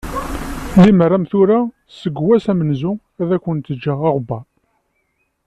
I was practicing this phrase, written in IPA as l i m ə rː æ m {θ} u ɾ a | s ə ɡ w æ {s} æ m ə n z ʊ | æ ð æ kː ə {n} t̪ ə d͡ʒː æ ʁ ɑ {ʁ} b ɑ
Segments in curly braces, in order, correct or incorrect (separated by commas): correct, correct, correct, correct